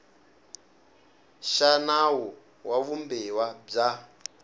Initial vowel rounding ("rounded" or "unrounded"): unrounded